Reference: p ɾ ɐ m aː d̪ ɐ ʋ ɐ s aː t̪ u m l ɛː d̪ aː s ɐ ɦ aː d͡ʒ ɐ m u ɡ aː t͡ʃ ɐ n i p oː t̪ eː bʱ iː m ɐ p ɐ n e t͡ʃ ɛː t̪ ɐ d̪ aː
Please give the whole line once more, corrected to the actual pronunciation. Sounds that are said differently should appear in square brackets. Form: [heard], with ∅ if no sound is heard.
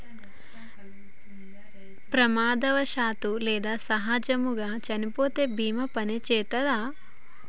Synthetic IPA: p ɾ ɐ m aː d̪ ɐ ʋ ɐ [ʃ] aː t̪ u [∅] l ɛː d̪ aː s ɐ ɦ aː d͡ʒ ɐ m u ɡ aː t͡ʃ ɐ n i p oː t̪ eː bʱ iː m ɐ p ɐ n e t͡ʃ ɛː t̪ ɐ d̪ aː